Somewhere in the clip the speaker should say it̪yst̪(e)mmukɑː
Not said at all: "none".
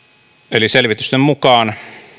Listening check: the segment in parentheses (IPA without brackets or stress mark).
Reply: e